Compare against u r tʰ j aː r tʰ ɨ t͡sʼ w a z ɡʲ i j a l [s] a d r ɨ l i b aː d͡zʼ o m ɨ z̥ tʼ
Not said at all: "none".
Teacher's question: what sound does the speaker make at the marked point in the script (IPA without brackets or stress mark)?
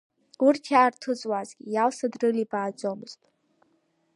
s